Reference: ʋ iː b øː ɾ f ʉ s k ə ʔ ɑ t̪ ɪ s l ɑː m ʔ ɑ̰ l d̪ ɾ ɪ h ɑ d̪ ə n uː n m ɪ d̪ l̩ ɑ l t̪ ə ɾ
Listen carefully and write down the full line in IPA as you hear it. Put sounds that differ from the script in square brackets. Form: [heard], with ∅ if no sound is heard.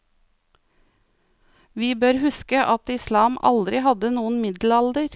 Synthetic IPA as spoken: ʋ iː b øː ɾ [h] ʉ s k ə ʔ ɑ t̪ ɪ s l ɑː m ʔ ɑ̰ l d̪ ɾ ɪ h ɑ d̪ ə n uː n m ɪ d̪ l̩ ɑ l [d̪] ə ɾ